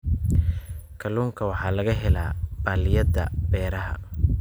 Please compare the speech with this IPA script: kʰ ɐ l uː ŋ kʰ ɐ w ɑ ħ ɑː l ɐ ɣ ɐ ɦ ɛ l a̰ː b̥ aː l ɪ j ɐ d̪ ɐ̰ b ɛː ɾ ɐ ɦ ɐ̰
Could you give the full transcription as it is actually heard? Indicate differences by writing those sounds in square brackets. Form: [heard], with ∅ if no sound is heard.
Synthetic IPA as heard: kʰ ɐ l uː ŋ kʰ ɐ w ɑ ħ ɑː l ɐ ɣ ɐ ɦ ɛ l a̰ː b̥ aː l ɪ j ɐ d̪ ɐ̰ b ɛː ɾ ɐ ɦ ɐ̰

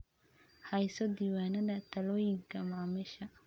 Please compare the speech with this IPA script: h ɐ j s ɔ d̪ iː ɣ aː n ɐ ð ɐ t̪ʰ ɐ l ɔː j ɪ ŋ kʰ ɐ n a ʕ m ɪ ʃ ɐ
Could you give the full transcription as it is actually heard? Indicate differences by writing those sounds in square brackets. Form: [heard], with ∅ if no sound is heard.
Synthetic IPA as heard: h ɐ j s ɔ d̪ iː [w] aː n ɐ ð ɐ t̪ʰ ɐ l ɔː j ɪ ŋ kʰ ɐ [m] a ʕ m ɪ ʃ ɐ

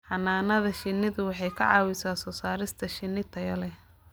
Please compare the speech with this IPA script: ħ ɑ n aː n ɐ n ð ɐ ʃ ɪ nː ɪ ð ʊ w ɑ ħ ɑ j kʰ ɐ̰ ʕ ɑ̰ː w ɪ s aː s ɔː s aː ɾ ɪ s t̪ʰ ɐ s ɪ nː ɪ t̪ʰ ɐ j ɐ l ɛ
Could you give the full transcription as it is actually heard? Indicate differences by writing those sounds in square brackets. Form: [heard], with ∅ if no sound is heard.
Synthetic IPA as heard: ħ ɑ n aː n ɐ [∅] ð ɐ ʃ ɪ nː ɪ ð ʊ w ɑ ħ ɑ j kʰ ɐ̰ ʕ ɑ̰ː w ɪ s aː s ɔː s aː ɾ ɪ s t̪ʰ ɐ [ʃ] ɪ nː ɪ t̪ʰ ɐ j ɐ l ɛ

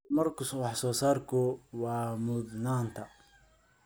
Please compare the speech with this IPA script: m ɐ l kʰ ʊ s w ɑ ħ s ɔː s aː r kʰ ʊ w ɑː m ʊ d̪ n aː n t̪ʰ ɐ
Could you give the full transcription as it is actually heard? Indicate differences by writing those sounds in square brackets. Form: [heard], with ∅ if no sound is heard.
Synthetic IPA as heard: m ɐ [r] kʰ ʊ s w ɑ ħ s ɔː s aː r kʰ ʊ w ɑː m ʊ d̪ n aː n t̪ʰ ɐ

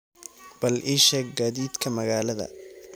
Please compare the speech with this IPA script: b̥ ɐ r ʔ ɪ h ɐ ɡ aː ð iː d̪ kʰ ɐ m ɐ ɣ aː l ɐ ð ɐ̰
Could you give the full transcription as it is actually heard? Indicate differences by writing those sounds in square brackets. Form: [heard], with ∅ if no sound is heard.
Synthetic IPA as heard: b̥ ɐ [l] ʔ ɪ [ʃ] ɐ ɡ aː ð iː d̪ kʰ ɐ m ɐ ɣ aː l ɐ ð ɐ̰

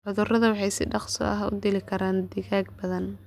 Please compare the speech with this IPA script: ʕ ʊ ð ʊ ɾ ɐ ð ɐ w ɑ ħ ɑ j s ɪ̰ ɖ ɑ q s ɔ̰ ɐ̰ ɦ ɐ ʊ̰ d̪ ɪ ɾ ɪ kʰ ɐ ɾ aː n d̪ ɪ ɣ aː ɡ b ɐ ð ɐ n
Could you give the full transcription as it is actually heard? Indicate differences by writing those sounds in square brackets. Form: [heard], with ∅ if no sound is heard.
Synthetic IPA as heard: ʕ ʊ ð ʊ [r] ɐ ð ɐ w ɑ ħ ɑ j s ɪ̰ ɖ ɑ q s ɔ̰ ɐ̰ ɦ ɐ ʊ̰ d̪ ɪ [l] ɪ kʰ ɐ ɾ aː n d̪ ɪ ɣ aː ɡ b ɐ ð ɐ n

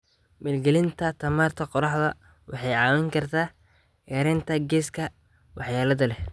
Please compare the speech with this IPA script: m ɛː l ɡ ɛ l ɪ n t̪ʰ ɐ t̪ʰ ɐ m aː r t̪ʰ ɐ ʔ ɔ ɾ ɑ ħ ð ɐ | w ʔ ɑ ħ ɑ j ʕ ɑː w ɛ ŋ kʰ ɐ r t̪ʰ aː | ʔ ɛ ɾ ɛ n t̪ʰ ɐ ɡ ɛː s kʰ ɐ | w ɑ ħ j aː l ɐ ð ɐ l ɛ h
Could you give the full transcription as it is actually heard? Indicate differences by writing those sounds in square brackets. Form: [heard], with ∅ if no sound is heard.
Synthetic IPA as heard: m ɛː l ɡ ɛ l ɪ n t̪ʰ ɐ t̪ʰ ɐ m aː r t̪ʰ ɐ [q] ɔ ɾ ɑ ħ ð ɐ | w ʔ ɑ ħ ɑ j ʕ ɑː w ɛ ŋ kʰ ɐ r t̪ʰ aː | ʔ ɛ ɾ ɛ n t̪ʰ ɐ ɡ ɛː s kʰ ɐ | w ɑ ħ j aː l ɐ ð ɐ l ɛ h

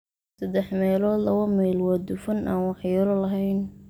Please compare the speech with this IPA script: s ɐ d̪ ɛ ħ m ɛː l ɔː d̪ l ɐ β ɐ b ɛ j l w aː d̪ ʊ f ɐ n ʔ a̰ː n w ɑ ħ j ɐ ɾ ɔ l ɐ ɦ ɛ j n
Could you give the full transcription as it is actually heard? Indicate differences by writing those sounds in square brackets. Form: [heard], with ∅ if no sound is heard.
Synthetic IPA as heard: s ɐ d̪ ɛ ħ m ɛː l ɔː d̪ l ɐ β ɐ [m] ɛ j l w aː d̪ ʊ f ɐ n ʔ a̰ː n w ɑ ħ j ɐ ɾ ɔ l ɐ ɦ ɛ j n

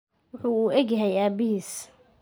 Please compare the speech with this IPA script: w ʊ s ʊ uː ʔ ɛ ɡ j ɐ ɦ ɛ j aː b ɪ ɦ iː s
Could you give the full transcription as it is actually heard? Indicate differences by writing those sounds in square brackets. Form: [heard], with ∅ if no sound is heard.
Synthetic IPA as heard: w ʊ [ħ] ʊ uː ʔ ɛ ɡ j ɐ ɦ ɛ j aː b ɪ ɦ iː s

